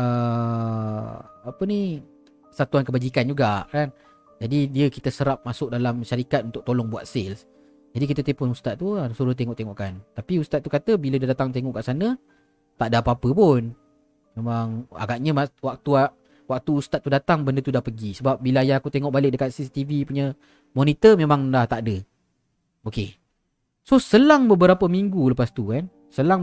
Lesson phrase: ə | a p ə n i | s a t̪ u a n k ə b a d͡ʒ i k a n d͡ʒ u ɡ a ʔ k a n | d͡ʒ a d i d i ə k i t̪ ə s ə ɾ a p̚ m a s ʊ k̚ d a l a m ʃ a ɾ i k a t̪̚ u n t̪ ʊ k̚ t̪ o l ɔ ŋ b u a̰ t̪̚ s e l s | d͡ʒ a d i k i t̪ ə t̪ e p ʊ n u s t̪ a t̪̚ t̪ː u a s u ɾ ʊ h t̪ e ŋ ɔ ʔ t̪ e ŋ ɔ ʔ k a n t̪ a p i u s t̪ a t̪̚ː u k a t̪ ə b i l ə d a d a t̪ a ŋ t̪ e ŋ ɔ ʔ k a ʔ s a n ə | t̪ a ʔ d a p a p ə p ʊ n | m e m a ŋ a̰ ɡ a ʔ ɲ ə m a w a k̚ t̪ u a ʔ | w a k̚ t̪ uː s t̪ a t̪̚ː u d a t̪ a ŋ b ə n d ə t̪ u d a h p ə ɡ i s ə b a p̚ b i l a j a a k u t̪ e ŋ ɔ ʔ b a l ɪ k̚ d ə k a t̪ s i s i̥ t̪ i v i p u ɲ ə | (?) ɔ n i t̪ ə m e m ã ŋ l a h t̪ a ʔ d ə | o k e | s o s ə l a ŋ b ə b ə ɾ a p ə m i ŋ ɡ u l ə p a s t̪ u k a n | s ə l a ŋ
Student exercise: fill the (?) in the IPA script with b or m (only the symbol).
m